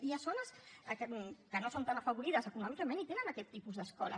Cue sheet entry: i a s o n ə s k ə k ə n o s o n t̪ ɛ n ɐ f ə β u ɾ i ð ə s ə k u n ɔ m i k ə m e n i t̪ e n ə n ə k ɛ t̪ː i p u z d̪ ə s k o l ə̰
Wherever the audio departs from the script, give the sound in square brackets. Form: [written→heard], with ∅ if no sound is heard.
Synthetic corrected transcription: i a s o n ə s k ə k ə n o s o n t̪ [ɛ→a] n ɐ f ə β u ɾ i ð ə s ə k u n ɔ m i k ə m e n i t̪ e n ə n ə k ɛ t̪ː i p u z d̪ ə s k [o→ɔ] l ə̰

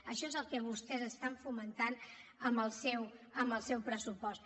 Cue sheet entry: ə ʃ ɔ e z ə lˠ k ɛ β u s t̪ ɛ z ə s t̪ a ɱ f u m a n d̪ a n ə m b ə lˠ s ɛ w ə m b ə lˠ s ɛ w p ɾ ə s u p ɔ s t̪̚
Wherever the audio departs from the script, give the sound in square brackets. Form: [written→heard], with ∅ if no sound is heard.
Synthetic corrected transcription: ə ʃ ɔ e z ə lˠ k ɛ β u s t̪ ɛ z ə s t̪ a ɱ f u m [a→ə] n [d̪→t̪] a n ə m b ə lˠ s ɛ w ə m b ə lˠ s ɛ w p ɾ ə s u p ɔ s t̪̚

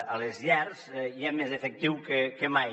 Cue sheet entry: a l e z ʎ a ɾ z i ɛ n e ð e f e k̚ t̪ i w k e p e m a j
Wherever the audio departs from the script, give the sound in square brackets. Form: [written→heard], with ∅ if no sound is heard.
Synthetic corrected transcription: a l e z ʎ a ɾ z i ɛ [n→m] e [ð→z] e f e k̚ t̪ i w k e [p→k] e m a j

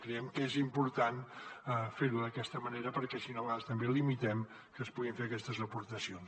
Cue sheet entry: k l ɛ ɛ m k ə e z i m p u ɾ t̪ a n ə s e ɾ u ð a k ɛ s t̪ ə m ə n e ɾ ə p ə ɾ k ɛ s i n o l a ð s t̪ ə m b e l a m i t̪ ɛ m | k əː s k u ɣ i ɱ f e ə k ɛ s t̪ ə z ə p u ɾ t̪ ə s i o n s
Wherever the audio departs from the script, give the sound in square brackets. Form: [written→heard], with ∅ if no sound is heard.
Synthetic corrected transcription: k [l→ɾ] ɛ ɛ m k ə e z i m p u ɾ t̪ a n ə [s→f] e ɾ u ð [a→ə] k ɛ s t̪ ə m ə n e ɾ ə p ə ɾ k ɛ s i n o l a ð s t̪ ə m b e l [a→i] m i t̪ ɛ m | k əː s [k→p] u ɣ i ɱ f e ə k ɛ s t̪ ə z ə p u ɾ t̪ ə s i o n s

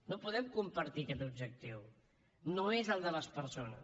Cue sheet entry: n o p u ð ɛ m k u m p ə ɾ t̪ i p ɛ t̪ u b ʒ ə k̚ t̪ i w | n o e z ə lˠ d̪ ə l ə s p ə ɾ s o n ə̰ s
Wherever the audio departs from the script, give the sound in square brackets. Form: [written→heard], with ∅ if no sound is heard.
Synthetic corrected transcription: n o p u ð ɛ m k u m p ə ɾ t̪ i [p→k] ɛ t̪ u b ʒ ə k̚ t̪ i w | n o e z ə lˠ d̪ ə l ə s p ə ɾ s o n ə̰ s

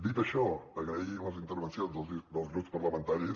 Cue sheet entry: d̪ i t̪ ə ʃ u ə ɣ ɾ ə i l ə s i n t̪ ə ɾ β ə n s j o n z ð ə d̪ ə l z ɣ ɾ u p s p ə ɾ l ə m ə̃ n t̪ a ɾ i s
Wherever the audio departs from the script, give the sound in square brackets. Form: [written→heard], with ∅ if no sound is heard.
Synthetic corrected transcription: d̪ i t̪ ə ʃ [u→ɔ] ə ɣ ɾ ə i l ə [s→z] i n t̪ ə ɾ β ə n s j o n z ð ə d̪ ə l z ɣ ɾ u p s p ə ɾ l ə m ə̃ n t̪ a ɾ i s

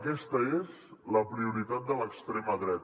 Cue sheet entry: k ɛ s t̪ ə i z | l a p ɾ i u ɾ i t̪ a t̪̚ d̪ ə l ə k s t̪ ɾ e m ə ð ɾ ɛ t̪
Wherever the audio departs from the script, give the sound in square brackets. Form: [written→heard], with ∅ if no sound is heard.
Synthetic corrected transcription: k ɛ s t̪ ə [i→e] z | l [a→ə] p ɾ i u ɾ i t̪ a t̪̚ d̪ ə l ə k s t̪ ɾ e m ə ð ɾ ɛ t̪

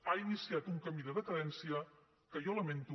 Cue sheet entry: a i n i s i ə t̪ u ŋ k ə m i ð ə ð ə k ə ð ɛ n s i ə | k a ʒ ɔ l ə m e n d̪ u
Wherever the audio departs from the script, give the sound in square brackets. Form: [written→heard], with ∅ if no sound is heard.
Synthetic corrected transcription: a i n i s i [ə→a] t̪ u ŋ k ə m i ð ə ð ə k ə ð ɛ n s i ə | k [a→ə] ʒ ɔ l ə m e n [d̪→t̪] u

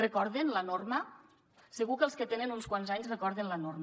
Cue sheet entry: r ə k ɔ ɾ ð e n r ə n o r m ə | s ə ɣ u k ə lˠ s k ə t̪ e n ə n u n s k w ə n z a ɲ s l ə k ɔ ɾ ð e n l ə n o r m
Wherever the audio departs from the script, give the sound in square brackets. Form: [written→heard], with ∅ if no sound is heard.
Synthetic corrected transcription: r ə k ɔ ɾ ð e n [r→l] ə n o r m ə | s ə ɣ u k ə lˠ s k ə t̪ e n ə n u n s k w [ə→a] n z a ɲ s [l→r] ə k ɔ ɾ ð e n l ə n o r m

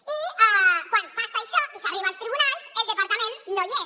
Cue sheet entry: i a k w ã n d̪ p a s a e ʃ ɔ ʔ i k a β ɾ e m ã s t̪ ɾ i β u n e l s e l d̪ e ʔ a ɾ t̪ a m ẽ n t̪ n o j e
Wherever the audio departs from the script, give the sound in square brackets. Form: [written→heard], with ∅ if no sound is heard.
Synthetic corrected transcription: i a k w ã n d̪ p a s a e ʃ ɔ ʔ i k a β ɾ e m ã s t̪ ɾ i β u n [e→a] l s e l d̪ e [ʔ→p] a ɾ t̪ a m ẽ n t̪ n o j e

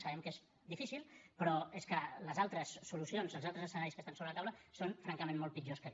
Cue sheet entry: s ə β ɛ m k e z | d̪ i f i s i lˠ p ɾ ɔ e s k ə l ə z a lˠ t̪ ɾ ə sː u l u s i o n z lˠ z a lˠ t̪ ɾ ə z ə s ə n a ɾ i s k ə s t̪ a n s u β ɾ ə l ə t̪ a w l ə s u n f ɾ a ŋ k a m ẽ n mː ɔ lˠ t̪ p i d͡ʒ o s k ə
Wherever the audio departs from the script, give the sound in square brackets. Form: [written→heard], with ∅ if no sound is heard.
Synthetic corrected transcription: s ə β ɛ m k e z | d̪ i f i s i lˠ p ɾ ɔ e s k ə l ə z a lˠ t̪ ɾ ə sː u l u s i o n z lˠ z a lˠ t̪ ɾ ə z ə s ə n a ɾ i s k ə s t̪ a n s [u→o] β ɾ ə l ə t̪ a w l ə s [u→o] n f ɾ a ŋ k [a→ə] m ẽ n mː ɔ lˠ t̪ p i d͡ʒ o s k ə

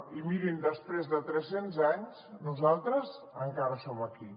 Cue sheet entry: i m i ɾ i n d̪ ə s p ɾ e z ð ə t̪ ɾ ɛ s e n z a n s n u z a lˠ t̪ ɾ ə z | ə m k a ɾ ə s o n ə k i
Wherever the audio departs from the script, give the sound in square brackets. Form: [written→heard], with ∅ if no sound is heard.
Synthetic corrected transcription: i m i ɾ i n d̪ ə s p ɾ e z ð ə t̪ ɾ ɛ s e n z a [n→ɲ] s n u z a lˠ t̪ ɾ ə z | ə [m→ŋ] k a ɾ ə s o [n→m] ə k i

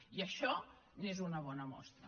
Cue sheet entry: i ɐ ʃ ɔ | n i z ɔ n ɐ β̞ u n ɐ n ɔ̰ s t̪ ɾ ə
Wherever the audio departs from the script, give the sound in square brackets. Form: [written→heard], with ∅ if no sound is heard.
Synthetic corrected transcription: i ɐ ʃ ɔ | n [i→e] z [ɔ→u] n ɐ β̞ [u→ɔ] n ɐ [n→m] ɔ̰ s t̪ ɾ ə

